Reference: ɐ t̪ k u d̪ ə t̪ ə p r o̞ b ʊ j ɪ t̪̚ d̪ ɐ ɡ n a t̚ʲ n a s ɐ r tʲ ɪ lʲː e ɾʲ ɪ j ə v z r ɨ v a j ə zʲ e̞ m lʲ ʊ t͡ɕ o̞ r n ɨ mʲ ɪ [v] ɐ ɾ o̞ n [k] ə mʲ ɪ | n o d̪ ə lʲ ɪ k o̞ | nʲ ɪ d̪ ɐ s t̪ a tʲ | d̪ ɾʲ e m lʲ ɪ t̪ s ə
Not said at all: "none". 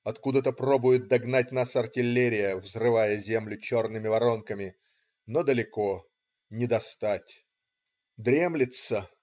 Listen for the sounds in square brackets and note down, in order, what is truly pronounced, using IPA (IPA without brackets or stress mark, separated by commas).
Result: v, k